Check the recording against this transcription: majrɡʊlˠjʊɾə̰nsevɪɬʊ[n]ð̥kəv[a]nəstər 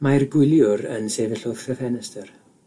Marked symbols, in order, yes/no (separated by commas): no, no